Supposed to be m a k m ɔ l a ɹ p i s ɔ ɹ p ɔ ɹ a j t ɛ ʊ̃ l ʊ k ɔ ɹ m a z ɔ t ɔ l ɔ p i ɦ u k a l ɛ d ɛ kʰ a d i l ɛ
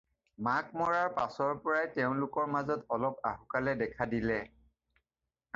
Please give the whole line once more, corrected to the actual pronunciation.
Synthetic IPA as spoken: m a k m ɔ ɹ a ɹ p a s ɔ ɹ p ɔ ɹ a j t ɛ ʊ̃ l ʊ k ɔ ɹ m a z ɔ t ɔ l ɔ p a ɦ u k a l ɛ d ɛ kʰ a d i l ɛ